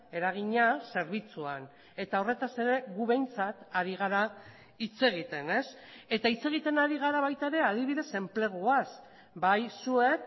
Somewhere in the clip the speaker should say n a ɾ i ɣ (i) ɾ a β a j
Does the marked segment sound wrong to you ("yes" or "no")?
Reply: yes